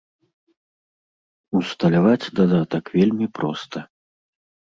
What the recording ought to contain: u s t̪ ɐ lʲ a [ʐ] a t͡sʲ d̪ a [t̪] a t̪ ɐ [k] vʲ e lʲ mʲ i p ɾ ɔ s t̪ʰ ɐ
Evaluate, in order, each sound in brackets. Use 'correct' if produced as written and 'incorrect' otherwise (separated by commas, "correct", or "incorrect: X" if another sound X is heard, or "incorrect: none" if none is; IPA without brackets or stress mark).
incorrect: v, incorrect: d̪, correct